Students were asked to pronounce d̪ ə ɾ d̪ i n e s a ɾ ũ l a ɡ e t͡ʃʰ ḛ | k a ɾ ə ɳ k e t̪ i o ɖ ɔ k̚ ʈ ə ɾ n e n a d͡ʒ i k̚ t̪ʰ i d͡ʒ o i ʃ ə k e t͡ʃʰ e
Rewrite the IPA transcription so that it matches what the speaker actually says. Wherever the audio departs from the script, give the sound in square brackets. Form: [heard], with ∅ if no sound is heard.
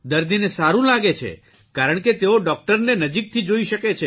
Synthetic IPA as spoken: d̪ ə ɾ d̪ i n e s a ɾ ũ l a ɡ e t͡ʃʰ ḛ | k a ɾ ə ɳ k e t̪ [e] o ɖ ɔ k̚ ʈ ə ɾ n e n [ə] d͡ʒ i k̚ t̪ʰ i d͡ʒ o i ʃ ə k e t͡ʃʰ e